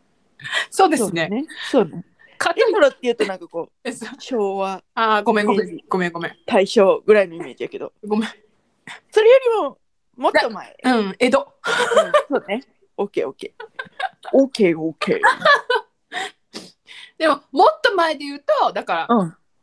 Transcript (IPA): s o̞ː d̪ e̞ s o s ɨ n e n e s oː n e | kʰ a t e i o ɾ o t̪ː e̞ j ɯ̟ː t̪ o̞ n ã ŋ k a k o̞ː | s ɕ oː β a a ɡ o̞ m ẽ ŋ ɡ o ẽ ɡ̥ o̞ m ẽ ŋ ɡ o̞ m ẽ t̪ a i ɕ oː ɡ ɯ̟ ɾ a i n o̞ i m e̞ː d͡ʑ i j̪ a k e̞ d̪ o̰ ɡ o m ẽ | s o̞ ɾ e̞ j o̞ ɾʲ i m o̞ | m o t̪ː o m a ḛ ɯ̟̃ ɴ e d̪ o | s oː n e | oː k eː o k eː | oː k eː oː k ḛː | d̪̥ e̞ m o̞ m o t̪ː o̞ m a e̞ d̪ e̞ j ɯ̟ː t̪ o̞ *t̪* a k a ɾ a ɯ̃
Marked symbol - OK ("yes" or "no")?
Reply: no